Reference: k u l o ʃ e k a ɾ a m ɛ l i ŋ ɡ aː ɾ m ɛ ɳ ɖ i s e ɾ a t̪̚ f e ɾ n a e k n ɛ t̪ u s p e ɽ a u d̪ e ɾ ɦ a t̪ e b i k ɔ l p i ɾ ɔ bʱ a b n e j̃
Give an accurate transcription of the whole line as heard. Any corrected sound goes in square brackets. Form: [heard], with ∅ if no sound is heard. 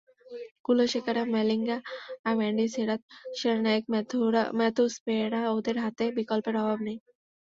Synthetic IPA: k u l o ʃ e k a ɾ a m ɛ l i ŋ ɡ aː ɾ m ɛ ɳ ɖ i s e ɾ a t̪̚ [ʃ] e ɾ n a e k [m] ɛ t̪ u s p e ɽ a [o] d̪ e ɾ ɦ a t̪ e b i k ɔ l p [e] ɾ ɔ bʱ a b n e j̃